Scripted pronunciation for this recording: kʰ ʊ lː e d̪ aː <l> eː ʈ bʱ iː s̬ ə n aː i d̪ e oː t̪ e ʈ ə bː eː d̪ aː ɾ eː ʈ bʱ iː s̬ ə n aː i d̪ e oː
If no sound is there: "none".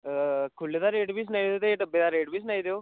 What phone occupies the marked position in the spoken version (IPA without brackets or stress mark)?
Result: ɾ